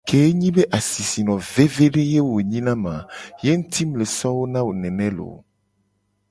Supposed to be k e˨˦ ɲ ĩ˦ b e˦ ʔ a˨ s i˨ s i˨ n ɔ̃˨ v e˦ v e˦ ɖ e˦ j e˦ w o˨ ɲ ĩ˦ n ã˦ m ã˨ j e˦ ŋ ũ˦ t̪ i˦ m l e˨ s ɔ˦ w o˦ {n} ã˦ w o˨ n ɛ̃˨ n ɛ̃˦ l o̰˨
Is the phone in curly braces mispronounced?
no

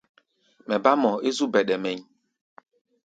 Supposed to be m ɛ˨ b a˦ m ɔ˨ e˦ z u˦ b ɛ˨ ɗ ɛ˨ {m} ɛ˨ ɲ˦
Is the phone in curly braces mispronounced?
no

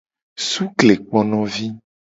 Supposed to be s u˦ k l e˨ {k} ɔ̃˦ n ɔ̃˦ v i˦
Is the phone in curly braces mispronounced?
yes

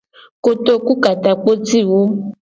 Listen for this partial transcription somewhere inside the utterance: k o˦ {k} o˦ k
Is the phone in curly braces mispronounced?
yes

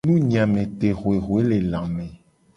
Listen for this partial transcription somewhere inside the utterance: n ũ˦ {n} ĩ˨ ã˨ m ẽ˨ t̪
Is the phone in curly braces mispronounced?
yes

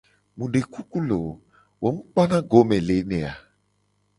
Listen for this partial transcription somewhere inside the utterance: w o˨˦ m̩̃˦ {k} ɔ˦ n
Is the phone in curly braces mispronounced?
yes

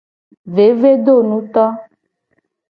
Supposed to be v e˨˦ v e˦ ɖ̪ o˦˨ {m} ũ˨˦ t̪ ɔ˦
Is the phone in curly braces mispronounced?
yes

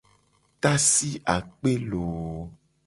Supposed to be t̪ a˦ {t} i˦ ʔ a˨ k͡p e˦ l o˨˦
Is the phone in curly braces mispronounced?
yes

